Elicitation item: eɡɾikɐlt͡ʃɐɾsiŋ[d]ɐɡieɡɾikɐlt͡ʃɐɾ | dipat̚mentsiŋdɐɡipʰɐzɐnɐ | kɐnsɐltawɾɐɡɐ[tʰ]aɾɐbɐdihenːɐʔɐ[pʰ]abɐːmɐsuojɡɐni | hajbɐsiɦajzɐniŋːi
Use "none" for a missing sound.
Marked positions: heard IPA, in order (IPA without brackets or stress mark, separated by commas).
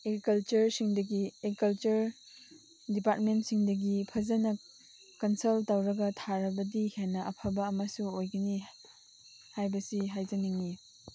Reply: d, tʰ, pʰ